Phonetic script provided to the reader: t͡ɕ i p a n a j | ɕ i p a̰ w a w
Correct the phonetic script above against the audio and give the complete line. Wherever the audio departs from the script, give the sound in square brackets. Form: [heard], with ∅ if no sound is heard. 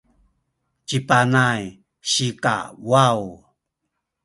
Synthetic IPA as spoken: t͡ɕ i p a n a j | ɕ i [k] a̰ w a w